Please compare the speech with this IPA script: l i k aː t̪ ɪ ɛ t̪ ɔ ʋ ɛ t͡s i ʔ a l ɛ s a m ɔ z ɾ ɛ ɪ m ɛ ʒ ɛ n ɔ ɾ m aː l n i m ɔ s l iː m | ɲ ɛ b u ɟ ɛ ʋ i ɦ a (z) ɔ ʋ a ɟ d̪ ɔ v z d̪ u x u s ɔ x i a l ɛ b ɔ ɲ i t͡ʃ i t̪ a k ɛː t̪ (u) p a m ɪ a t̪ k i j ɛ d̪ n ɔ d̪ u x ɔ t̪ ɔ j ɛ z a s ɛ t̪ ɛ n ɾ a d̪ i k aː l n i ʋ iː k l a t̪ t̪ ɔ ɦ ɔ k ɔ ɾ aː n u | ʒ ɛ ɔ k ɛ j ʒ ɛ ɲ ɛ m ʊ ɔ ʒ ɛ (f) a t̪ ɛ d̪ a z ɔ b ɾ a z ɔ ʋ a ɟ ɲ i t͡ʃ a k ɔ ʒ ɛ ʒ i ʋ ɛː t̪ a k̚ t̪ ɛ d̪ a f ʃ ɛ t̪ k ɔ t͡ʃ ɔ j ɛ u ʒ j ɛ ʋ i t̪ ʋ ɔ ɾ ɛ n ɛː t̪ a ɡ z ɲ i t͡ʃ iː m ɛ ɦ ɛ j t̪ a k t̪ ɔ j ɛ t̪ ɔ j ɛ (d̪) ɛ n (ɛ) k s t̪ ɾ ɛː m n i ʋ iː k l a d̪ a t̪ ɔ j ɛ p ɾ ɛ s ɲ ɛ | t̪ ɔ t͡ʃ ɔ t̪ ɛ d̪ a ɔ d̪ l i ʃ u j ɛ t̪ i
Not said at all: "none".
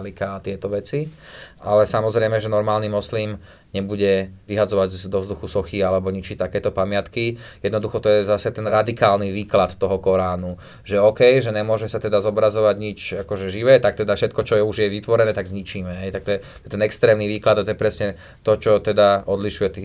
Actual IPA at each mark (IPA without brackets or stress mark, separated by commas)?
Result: d͡z, ɔ, s, t̪, ɛ